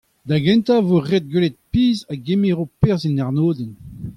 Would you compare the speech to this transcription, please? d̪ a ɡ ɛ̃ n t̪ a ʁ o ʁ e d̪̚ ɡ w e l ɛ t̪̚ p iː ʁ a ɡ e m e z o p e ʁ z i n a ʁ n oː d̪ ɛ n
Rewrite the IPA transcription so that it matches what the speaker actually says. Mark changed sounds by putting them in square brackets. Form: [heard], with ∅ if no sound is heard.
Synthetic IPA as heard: d̪ a ɡ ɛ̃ n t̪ a [v] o ʁ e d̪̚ ɡ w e l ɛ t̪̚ p iː [z] a ɡ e m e [ʁ] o p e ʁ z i n a ʁ n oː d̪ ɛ n